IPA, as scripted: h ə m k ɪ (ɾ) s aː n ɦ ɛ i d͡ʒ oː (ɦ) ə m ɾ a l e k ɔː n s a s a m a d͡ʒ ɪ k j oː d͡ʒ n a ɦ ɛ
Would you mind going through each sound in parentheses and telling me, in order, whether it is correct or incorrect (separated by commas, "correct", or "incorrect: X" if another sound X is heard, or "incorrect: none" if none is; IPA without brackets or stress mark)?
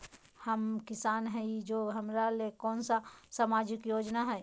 incorrect: none, correct